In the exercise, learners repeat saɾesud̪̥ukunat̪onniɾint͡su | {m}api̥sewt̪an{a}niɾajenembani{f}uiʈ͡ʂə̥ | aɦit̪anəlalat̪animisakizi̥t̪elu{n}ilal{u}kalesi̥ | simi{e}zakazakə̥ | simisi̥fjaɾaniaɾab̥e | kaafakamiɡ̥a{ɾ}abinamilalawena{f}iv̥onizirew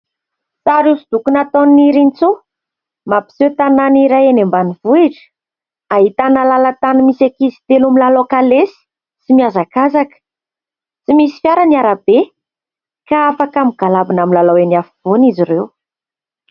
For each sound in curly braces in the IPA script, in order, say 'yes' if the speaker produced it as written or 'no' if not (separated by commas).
yes, yes, no, no, no, no, no, yes